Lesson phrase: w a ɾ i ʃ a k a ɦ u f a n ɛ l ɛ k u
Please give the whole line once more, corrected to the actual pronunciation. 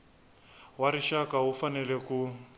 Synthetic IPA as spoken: w a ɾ i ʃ a k a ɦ u f a n ɛ l ɛ k u